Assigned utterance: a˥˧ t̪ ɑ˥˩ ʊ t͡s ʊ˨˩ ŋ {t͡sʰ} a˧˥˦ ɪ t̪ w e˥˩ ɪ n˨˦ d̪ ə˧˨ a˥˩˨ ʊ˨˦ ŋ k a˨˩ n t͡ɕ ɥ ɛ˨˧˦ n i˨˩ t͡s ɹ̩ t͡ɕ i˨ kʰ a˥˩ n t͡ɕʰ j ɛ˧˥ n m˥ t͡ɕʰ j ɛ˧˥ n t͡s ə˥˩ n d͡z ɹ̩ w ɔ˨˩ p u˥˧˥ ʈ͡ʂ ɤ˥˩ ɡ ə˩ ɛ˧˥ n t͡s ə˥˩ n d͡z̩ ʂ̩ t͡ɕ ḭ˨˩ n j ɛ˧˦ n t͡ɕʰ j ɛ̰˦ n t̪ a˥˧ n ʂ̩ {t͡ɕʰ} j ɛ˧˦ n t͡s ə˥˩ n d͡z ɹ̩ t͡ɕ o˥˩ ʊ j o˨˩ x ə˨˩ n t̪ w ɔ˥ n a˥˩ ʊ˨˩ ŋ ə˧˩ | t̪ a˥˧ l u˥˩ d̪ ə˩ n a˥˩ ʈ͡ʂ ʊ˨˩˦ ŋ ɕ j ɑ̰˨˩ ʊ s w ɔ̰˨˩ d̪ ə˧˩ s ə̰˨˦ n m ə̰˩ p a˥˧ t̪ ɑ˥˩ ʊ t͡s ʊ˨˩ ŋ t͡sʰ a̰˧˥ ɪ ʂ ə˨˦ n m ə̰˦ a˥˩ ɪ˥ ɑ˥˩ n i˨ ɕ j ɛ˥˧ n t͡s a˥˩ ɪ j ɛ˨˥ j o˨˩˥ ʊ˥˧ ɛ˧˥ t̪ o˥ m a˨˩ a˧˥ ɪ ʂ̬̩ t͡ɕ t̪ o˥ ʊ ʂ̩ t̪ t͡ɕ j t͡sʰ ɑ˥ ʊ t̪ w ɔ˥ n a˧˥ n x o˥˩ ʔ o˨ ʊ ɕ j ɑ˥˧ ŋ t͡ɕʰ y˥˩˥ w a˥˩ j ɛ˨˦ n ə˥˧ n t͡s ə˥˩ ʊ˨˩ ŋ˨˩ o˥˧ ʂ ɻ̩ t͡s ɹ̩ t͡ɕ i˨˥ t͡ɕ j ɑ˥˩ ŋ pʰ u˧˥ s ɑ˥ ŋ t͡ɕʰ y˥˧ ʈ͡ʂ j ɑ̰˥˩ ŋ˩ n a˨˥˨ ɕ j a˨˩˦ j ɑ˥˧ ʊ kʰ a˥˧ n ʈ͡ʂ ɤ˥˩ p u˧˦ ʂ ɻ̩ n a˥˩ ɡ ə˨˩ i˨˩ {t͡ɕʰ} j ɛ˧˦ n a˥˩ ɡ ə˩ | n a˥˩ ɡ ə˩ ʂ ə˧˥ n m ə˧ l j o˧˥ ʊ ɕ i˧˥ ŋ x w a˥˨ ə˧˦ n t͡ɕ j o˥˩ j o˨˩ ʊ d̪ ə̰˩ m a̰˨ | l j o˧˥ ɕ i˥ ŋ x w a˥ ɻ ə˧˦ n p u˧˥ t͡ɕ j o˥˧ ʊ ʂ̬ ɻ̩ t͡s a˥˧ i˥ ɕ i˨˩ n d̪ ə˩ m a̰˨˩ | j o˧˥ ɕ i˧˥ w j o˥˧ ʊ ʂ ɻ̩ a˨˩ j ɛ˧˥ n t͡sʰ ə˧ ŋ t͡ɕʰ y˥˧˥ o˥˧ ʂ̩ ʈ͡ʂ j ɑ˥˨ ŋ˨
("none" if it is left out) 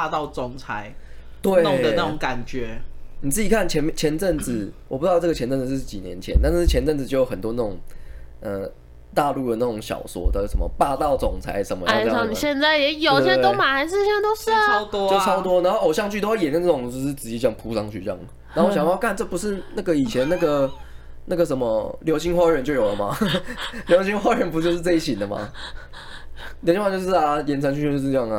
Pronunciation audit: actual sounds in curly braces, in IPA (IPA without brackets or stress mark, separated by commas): t͡sʰ, t͡ɕʰ, t͡ɕʰ